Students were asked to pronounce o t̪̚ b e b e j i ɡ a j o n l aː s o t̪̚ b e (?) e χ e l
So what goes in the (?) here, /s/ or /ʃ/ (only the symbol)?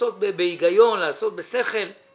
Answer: s